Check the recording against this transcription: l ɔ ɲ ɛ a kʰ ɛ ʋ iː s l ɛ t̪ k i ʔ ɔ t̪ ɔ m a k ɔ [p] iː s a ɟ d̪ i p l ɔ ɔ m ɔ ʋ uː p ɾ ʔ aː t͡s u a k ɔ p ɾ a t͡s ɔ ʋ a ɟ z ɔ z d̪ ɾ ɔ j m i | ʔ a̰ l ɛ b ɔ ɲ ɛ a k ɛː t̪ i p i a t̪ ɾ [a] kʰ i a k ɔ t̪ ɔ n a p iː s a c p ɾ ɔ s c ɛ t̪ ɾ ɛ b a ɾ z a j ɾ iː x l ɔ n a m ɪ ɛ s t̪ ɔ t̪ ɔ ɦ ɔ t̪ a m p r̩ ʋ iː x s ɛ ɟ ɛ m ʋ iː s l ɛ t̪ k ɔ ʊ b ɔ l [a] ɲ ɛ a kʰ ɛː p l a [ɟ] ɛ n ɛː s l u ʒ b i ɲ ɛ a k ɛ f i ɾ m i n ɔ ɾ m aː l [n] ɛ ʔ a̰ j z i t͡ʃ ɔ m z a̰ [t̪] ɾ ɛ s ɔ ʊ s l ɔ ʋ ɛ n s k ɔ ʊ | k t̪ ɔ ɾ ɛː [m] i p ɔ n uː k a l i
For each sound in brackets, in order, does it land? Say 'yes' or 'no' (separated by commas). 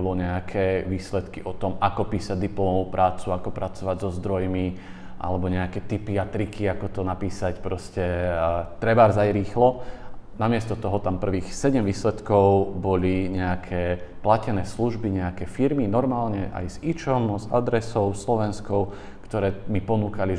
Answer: yes, no, no, no, no, no, yes